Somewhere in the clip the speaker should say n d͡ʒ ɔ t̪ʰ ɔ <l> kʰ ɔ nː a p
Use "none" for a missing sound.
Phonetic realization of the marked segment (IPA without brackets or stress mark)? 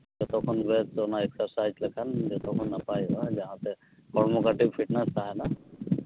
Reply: none